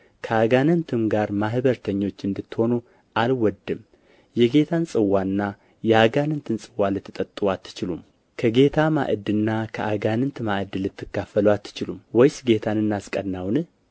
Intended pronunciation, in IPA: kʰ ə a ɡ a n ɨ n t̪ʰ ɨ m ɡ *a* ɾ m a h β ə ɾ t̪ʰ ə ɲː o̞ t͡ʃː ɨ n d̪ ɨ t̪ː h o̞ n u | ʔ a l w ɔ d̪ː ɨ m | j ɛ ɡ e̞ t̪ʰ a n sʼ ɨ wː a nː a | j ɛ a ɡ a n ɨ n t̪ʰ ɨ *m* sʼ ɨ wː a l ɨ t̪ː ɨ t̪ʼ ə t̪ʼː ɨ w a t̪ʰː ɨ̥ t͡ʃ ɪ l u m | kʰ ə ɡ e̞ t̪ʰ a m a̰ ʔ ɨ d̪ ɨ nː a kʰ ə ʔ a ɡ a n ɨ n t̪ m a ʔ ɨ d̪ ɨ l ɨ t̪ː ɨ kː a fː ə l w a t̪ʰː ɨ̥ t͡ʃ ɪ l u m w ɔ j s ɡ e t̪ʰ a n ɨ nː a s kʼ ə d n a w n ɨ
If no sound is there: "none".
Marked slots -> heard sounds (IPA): a, n

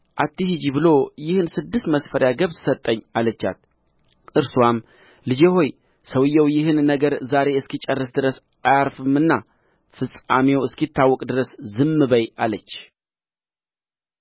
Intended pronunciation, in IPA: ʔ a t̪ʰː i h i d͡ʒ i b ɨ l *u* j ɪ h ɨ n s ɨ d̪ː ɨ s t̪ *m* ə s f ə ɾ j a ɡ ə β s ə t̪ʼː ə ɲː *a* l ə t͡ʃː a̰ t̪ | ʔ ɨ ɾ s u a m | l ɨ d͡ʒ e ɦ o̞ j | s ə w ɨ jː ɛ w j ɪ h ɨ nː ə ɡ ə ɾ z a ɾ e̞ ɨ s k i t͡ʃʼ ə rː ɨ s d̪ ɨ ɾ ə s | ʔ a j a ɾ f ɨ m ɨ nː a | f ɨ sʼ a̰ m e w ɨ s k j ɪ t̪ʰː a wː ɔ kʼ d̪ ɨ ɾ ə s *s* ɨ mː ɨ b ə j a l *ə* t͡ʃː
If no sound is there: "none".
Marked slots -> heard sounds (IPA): o, m, a, z, ə

